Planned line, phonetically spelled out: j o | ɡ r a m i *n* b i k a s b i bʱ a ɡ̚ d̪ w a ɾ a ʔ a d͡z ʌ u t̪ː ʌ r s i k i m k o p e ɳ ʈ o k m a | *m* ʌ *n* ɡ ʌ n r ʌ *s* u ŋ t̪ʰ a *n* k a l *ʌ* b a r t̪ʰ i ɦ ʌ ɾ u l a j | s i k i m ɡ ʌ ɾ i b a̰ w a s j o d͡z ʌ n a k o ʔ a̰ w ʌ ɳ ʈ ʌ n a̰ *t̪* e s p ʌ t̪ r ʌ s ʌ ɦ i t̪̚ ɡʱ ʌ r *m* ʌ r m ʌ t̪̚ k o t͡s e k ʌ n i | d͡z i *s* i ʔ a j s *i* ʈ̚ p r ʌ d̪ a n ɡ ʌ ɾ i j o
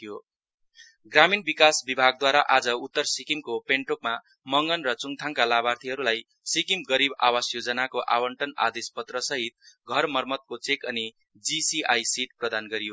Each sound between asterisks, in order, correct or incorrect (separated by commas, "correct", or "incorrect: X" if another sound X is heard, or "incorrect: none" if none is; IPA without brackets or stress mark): correct, correct, incorrect: ŋ, incorrect: t͡s, incorrect: ŋ, incorrect: a, incorrect: d̪, correct, correct, correct